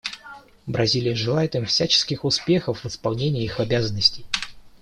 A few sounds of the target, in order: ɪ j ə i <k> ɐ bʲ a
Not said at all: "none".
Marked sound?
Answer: x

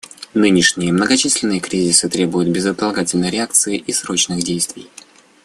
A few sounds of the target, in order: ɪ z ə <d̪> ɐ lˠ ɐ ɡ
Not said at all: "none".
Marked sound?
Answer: t̪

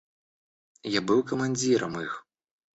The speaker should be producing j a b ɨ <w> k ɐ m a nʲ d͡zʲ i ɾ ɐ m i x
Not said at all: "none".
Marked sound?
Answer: w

